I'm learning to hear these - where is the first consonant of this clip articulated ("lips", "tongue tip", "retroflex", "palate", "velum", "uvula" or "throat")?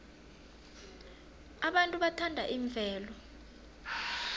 lips